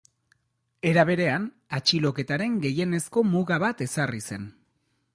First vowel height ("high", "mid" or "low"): mid